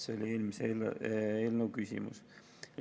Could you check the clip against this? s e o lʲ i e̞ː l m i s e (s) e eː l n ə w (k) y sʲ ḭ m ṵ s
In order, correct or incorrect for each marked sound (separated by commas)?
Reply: incorrect, correct